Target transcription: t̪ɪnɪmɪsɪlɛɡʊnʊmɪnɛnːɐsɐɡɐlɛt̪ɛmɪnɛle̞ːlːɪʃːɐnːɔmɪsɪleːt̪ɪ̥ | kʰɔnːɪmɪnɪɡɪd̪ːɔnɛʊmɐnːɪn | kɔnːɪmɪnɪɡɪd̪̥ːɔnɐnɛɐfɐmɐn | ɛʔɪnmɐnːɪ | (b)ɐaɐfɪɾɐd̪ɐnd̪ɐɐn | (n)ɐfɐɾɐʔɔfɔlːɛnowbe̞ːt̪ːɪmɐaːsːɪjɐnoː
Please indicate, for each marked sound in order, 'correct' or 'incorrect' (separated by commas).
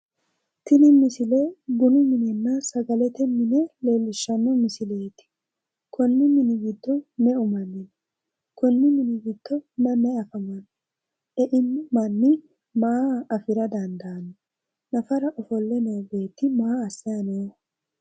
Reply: incorrect, correct